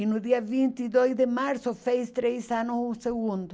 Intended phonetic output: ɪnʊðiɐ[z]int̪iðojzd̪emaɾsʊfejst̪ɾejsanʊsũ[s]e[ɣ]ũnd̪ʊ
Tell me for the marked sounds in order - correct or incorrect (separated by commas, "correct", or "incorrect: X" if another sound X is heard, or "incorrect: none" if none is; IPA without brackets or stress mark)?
incorrect: v, correct, correct